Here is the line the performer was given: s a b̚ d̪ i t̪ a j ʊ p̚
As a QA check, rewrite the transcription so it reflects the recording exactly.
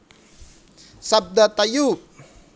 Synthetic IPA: s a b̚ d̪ a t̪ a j u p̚